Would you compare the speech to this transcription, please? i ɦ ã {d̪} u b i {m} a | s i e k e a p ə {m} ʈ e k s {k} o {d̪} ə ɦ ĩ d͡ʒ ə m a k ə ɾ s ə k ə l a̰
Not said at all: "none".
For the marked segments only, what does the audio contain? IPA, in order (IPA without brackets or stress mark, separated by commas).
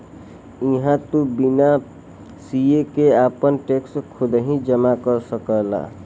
t̪, n, n, kʰ, d̪